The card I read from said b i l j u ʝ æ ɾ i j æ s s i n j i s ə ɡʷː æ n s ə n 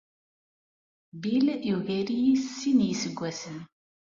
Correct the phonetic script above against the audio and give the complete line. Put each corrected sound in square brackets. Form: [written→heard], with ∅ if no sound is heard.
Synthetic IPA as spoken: b i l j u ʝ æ ɾ i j [æ→i] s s i n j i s ə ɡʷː æ [n→∅] s ə n